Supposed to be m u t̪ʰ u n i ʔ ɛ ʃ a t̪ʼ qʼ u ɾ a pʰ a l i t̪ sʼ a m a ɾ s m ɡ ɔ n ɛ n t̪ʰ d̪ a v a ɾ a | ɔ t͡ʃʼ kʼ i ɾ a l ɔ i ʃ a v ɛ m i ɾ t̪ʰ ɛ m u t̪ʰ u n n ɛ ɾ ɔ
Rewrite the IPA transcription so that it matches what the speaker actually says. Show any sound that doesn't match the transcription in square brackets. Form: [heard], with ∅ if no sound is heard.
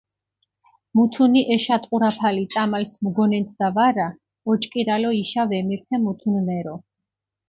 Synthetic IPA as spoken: m u t̪ʰ u n i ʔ ɛ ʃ a t̪ʼ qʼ u ɾ a pʰ a l i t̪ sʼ a m a [l] s m ɡ ɔ n ɛ n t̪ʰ d̪ a v a ɾ a | ɔ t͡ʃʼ kʼ i ɾ a l ɔ i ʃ a v ɛ m i ɾ t̪ʰ ɛ m u t̪ʰ u n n ɛ ɾ ɔ